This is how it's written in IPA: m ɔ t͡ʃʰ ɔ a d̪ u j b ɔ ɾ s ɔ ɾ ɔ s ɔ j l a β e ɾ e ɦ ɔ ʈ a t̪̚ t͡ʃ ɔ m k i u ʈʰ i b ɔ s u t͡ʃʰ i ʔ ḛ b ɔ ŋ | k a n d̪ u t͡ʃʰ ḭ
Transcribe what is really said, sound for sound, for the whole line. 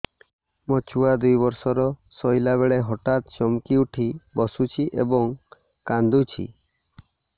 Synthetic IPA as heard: m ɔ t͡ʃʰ u a d̪ u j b ɔ ɾ s ɔ ɾ ɔ s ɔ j l a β e ɭ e ɦ ɔ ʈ a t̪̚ t͡ʃ ɔ m k i u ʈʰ i b ɔ s u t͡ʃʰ i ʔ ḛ b ɔ ŋ | k a n d̪ u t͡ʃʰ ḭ